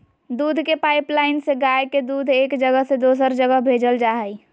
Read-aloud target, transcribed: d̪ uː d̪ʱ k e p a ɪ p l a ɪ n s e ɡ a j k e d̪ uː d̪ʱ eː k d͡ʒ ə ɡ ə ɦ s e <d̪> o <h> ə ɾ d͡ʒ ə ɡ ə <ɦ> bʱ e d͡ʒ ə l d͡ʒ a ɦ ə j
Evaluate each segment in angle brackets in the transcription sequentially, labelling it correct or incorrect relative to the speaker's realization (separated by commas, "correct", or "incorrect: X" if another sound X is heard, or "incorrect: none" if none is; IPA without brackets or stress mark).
correct, incorrect: s, correct